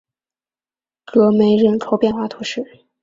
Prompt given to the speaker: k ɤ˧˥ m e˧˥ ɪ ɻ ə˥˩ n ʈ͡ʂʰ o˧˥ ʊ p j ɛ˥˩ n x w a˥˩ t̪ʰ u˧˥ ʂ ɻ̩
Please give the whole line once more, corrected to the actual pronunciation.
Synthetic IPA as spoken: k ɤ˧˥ m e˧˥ ɪ ɻ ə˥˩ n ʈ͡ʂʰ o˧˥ ʊ p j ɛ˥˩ n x w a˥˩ t̪ʰ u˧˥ ʂ ɻ̩

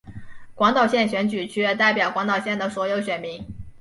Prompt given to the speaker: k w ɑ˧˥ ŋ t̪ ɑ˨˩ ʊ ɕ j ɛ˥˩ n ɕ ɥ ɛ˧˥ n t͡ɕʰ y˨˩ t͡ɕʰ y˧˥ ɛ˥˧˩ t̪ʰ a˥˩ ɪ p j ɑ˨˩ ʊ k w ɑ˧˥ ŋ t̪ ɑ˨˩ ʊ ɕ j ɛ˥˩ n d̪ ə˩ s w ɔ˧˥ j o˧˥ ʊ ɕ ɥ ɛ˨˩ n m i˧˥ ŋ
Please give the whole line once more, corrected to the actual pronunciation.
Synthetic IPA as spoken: k w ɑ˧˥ ŋ t̪ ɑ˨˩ ʊ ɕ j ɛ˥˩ n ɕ ɥ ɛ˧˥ n t͡ɕ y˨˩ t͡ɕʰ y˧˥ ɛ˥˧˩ t̪ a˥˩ ɪ p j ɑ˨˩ ʊ k w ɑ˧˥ ŋ t̪ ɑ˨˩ ʊ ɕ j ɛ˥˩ n d̪ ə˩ s w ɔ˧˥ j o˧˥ ʊ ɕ ɥ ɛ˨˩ n m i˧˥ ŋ

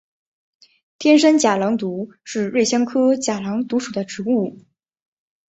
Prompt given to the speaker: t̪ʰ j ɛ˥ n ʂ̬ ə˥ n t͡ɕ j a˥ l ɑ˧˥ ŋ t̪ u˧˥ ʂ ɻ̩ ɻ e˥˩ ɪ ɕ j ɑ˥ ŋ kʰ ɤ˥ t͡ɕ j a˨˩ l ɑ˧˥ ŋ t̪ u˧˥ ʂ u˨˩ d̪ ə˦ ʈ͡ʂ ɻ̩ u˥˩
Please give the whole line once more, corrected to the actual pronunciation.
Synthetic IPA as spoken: t̪ʰ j ɛ˥ n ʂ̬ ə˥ n t͡ɕ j a˨˩ l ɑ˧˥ ŋ t̪ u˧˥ ʂ ɻ̩ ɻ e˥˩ ɪ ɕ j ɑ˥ ŋ kʰ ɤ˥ t͡ɕ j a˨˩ l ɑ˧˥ ŋ t̪ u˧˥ ʂ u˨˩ d̪ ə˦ ʈ͡ʂ ɻ̩ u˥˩

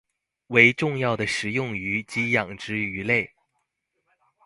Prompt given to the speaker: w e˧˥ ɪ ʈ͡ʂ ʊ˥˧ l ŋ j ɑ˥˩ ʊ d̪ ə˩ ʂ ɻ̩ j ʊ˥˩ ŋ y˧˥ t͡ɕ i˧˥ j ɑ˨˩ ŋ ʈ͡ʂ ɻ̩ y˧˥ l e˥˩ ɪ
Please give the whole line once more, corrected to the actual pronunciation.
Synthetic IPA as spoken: w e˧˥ ɪ ʈ͡ʂ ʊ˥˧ ŋ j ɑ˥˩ ʊ d̪ ə˩ ʂ ɻ̩ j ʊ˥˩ ŋ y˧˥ t͡ɕ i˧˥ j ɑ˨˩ ŋ ʈ͡ʂ ɻ̩ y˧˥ l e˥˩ ɪ

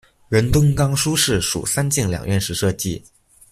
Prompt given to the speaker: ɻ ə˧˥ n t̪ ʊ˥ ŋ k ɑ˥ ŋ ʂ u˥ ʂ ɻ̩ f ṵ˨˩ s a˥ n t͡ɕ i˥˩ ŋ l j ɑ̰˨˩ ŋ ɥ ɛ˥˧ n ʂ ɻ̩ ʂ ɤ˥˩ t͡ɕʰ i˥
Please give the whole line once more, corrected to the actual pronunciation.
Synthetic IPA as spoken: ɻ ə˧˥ n t̪ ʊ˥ ŋ k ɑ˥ ŋ ʂ u˥ ʂ ɻ̩ ʂ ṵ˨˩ s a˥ n t͡ɕ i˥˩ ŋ l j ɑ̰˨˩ ŋ ɥ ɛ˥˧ n ʂ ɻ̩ ʂ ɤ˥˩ t͡ɕ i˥

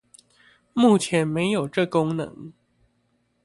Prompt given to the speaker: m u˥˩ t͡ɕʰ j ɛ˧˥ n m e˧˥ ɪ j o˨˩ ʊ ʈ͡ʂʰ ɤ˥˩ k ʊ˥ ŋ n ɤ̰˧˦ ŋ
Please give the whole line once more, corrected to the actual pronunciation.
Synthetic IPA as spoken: m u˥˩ t͡ɕʰ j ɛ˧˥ n m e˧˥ ɪ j o˨˩ ʊ ʈ͡ʂ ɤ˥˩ k ʊ˥ ŋ n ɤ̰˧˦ ŋ

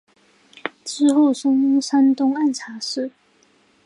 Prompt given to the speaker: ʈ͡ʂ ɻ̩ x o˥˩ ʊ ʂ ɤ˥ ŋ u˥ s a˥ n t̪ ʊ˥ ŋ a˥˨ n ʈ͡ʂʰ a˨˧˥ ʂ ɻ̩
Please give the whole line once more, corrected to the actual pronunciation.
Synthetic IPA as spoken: ʈ͡ʂ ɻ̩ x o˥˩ ʊ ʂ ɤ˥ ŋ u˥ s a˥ n t̪ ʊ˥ ŋ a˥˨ n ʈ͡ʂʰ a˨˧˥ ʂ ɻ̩

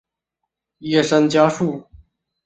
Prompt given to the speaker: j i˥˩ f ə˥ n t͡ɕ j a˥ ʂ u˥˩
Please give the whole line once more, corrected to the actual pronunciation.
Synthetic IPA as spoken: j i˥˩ ʂ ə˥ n t͡ɕ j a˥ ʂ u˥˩

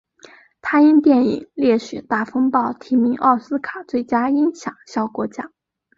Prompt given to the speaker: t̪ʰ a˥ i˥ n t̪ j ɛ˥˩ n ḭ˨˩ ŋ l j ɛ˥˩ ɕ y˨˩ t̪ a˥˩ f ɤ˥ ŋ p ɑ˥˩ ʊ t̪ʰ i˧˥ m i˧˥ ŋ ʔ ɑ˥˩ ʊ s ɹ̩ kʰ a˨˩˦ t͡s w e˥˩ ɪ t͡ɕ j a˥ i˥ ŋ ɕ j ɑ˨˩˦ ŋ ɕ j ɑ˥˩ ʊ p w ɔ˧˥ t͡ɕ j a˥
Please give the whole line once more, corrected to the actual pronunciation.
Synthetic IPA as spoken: t̪ʰ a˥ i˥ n t̪ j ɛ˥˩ n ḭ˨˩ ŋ l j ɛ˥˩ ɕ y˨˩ t̪ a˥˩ f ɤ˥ ŋ p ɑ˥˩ ʊ t̪ʰ i˧˥ m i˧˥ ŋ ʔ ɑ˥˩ ʊ s ɹ̩ kʰ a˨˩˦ t͡s w e˥˩ ɪ t͡ɕ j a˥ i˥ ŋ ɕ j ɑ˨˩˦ ŋ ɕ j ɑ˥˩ ʊ k w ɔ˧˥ t͡ɕ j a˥

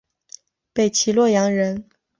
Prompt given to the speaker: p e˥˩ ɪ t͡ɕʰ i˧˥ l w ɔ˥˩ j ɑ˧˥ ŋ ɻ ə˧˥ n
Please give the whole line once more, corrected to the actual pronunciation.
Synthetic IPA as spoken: p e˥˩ ɪ t͡ɕʰ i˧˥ l w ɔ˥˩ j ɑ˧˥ ŋ ɻ ə˧˥ n

